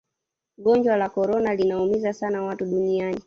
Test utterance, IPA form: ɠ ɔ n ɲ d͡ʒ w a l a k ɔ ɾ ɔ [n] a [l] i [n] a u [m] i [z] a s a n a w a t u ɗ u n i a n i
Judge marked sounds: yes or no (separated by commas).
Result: yes, yes, yes, yes, yes